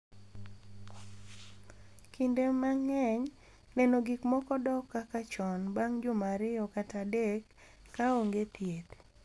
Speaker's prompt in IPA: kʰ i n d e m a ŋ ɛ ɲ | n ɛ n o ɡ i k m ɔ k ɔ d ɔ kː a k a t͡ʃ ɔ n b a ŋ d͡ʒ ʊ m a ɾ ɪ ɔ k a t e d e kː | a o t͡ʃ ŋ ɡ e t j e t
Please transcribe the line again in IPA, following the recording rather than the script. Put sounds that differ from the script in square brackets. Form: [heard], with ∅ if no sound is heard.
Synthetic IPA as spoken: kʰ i n d e m a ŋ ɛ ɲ | n ɛ n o ɡ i k m ɔ k ɔ d ɔ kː a k a t͡ʃ ɔ n b a ŋ d͡ʒ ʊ m a ɾ ɪ ɔ k a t [a] d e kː | a o [∅] ŋ ɡ e t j e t